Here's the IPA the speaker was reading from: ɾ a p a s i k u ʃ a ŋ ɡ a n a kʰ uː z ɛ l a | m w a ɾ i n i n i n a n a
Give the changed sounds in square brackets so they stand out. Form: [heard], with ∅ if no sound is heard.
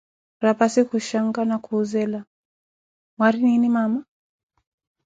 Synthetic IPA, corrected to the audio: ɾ a p a s i k u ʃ a ŋ ɡ a n a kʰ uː z ɛ l a | m w a ɾ i n i n i [m] a [m] a